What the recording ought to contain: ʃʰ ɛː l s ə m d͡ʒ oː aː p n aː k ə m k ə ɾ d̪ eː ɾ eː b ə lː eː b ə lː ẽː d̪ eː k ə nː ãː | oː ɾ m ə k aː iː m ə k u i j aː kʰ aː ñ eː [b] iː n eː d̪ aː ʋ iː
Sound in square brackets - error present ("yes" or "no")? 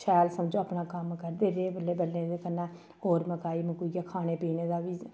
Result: yes